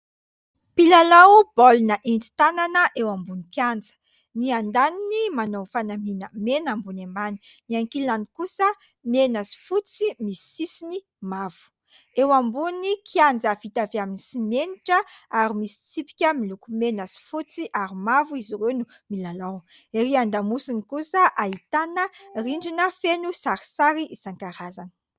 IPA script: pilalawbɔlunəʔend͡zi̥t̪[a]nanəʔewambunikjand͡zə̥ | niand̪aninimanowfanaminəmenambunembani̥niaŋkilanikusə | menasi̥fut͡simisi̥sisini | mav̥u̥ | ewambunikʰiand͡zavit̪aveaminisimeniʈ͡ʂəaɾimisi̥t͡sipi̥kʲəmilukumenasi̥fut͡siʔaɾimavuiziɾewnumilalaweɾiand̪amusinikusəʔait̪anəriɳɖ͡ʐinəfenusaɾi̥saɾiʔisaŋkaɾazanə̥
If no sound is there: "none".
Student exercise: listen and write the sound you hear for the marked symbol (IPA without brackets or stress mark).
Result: a